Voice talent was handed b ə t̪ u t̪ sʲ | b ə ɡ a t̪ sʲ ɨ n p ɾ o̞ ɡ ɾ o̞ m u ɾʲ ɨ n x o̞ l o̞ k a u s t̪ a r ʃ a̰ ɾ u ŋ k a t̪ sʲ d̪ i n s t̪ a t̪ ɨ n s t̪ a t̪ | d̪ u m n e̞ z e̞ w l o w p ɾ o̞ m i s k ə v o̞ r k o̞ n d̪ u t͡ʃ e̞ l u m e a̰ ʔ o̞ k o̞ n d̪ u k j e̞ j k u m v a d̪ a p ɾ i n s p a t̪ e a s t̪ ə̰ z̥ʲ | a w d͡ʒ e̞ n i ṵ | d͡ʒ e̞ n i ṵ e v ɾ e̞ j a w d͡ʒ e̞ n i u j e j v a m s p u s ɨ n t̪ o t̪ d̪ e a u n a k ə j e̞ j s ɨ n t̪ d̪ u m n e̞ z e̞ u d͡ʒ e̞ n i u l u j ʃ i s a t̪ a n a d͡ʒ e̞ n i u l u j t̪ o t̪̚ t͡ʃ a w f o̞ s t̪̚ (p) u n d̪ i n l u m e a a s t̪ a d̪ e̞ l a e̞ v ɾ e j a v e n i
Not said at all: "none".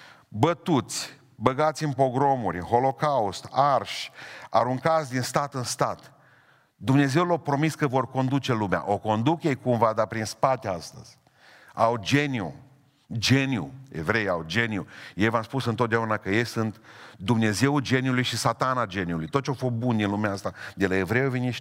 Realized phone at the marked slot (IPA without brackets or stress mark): b